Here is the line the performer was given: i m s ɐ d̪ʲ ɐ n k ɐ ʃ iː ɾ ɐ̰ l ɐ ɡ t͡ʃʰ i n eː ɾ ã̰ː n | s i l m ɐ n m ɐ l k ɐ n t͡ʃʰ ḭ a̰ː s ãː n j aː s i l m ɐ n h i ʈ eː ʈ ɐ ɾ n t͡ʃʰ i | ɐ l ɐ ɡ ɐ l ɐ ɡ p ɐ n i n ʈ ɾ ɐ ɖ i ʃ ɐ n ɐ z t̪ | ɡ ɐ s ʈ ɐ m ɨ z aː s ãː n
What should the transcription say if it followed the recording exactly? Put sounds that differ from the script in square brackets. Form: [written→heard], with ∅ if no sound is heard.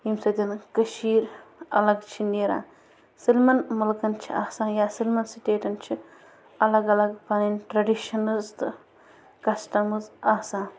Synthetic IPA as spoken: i m s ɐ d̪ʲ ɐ n k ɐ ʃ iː ɾ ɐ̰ l ɐ ɡ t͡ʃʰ i n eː ɾ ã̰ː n | s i l m ɐ n m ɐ l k ɐ n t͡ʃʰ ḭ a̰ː s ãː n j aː s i l m ɐ n [h→s] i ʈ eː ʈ ɐ [ɾ→∅] n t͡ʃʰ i | ɐ l ɐ ɡ ɐ l ɐ ɡ p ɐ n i n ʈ ɾ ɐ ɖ i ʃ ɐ n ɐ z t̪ | [ɡ→k] ɐ s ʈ ɐ m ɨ z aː s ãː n

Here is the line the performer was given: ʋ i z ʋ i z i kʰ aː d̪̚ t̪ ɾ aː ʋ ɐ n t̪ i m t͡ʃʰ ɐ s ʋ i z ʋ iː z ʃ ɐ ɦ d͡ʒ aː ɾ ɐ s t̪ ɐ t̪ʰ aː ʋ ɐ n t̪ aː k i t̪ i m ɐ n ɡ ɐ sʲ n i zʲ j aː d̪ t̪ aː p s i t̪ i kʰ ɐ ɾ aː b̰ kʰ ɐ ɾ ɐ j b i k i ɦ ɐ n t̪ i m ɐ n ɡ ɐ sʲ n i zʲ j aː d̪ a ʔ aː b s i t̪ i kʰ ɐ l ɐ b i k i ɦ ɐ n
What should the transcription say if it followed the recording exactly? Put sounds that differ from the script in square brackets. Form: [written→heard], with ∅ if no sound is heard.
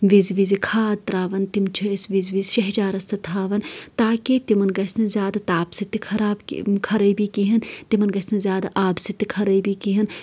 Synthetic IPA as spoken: ʋ i z ʋ i z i kʰ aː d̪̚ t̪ ɾ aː ʋ ɐ n t̪ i m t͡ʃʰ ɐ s ʋ i z ʋ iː z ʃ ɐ ɦ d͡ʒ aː ɾ ɐ s t̪ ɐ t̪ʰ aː ʋ ɐ n t̪ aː k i t̪ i m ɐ n ɡ ɐ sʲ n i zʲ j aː d̪ t̪ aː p s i t̪ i kʰ ɐ ɾ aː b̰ kʰ ɐ ɾ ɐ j b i k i ɦ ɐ n t̪ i m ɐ n ɡ ɐ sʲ n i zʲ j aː d̪ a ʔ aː b s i t̪ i kʰ ɐ [l→ɾ] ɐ b i k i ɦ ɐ n

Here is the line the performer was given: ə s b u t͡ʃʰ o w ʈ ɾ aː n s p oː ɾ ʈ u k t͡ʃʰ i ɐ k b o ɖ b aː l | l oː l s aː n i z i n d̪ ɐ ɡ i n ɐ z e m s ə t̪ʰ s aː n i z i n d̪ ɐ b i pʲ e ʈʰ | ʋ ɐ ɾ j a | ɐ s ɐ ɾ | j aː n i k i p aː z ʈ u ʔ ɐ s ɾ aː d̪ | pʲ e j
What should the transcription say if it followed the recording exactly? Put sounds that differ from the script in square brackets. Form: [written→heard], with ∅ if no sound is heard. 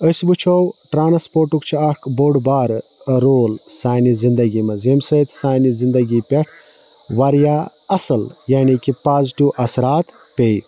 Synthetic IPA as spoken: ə s b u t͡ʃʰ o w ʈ ɾ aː n s p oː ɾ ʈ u k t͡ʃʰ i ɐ k b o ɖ b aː [l→ɾ] | [l→ɾ] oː l s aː n i z i n d̪ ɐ ɡ i [n→m] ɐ z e m s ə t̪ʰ s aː n i z i n d̪ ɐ [b→ɡ] i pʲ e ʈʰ | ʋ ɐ ɾ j a | ɐ s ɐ [ɾ→l] | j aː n i k i p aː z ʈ u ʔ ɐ s ɾ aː [d̪→t̪] | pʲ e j

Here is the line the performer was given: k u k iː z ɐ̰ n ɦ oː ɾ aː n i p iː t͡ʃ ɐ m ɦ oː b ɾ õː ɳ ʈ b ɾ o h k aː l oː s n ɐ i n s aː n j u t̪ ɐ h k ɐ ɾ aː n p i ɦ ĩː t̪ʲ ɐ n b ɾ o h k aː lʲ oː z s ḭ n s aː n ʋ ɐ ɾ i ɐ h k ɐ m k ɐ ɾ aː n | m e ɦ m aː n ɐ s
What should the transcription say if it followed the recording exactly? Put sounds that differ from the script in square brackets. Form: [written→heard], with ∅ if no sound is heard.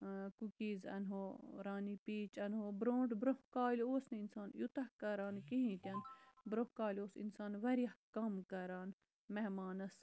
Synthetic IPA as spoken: k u k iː z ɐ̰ n ɦ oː ɾ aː n i p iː t͡ʃ ɐ [m→n] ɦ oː b ɾ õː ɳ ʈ b ɾ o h k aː l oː s n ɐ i n s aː n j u t̪ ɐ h k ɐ ɾ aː n [p→k] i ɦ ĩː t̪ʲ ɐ n b ɾ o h k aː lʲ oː [z→∅] s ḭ n s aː n ʋ ɐ ɾ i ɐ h k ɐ m k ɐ ɾ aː n | m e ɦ m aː n ɐ s

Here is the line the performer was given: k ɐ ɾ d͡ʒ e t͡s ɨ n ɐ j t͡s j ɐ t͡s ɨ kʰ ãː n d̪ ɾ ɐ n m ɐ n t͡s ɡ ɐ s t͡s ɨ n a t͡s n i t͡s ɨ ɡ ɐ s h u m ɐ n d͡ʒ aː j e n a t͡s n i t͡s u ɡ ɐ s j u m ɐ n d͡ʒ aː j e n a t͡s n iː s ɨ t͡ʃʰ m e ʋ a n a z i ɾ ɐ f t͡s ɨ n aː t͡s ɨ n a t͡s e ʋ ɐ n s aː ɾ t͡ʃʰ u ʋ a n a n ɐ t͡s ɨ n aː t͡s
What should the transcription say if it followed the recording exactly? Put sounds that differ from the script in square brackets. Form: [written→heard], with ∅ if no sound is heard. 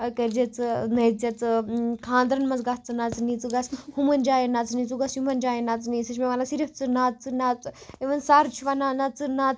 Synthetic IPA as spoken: k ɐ ɾ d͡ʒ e t͡s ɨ n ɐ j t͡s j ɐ t͡s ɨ kʰ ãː n d̪ ɾ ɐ n m ɐ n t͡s ɡ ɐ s t͡s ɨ n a t͡s n i t͡s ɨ ɡ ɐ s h u m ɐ n d͡ʒ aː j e n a t͡s n i t͡s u ɡ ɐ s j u m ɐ n d͡ʒ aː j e n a t͡s n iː s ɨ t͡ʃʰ m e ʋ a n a [z→s] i ɾ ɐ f t͡s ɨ n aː t͡s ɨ n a t͡s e ʋ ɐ n s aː ɾ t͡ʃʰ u ʋ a n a n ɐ t͡s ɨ n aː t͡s

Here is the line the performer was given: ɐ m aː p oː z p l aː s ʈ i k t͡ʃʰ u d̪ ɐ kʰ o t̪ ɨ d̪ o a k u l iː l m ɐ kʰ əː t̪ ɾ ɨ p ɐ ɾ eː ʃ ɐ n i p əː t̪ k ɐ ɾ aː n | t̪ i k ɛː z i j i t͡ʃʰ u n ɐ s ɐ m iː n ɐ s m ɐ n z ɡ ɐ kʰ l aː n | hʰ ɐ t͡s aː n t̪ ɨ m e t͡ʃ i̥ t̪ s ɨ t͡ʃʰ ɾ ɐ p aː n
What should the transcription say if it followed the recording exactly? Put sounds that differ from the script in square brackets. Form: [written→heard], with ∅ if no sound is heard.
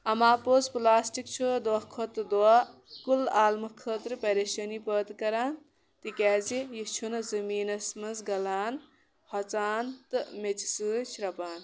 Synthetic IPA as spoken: ɐ m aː p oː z p l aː s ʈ i k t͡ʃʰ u d̪ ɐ kʰ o t̪ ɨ d̪ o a k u l [iː→aː] l m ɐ kʰ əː t̪ ɾ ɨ p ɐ ɾ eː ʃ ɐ n i p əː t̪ k ɐ ɾ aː n | t̪ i k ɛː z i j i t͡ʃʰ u n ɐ [s→z] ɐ m iː n ɐ s m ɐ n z ɡ ɐ [kʰ→∅] l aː n | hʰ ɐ t͡s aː n t̪ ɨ m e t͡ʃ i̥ [t̪→∅] s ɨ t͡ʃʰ ɾ ɐ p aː n

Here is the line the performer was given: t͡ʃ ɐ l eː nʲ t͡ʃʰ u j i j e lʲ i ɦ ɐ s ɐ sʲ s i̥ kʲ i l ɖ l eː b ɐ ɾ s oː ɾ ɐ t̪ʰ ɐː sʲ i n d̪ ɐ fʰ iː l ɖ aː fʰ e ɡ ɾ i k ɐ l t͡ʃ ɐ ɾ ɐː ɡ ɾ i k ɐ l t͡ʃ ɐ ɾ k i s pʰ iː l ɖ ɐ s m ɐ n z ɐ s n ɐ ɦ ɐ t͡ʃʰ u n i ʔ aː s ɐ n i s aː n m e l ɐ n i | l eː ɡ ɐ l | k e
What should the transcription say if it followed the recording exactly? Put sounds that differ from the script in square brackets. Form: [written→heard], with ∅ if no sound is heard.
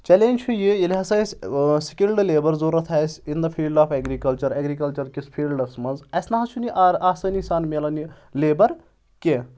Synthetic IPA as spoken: t͡ʃ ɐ l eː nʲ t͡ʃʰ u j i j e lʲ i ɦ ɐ s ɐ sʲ s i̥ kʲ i l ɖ l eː b ɐ ɾ [s→z] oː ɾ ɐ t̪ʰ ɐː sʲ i n d̪ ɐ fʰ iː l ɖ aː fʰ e ɡ ɾ i k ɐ l t͡ʃ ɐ ɾ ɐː ɡ ɾ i k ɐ l t͡ʃ ɐ ɾ k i s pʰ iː l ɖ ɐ s m ɐ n z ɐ s n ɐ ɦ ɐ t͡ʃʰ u n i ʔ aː s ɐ n i s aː n m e l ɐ n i | l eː [ɡ→b] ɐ [l→ɾ] | k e

